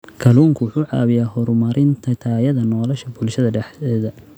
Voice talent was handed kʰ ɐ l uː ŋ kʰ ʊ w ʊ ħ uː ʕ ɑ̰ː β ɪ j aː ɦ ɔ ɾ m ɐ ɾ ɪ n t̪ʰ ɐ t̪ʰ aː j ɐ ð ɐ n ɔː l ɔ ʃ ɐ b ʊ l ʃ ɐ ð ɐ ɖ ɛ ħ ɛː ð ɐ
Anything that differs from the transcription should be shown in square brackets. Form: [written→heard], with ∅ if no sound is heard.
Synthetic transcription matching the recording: kʰ ɐ l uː ŋ kʰ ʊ w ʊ ħ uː ʕ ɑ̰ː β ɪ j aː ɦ ɔ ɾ m ɐ ɾ ɪ n t̪ʰ ɐ t̪ʰ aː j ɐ ð ɐ n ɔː l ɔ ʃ ɐ b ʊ l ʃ ɐ ð ɐ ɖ ɛ ħ ɛː ð ɐ